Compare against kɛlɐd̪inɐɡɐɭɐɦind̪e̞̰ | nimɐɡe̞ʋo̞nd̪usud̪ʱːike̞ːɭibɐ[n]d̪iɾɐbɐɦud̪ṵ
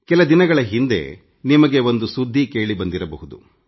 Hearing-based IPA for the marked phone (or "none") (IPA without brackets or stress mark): n